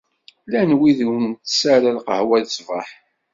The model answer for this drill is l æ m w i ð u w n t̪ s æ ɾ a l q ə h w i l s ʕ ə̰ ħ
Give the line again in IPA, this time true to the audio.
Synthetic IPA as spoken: l æ n w i ð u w n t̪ s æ ɾ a l q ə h w æ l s v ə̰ ħ